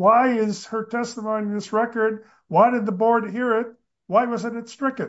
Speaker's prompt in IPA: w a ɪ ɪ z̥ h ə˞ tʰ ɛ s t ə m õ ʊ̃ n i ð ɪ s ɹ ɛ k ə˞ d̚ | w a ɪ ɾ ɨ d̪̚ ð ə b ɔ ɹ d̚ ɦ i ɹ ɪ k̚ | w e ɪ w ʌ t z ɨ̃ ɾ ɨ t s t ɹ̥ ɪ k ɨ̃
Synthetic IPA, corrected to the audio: w a ɪ ɪ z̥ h ə˞ tʰ ɛ s t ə m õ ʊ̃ n i ð ɪ s ɹ ɛ k ə˞ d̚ | w a ɪ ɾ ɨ d̪̚ ð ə b ɔ ɹ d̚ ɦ i ɹ ɪ t̚ | w a ɪ w ʌ z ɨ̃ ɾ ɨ t s t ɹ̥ ɪ k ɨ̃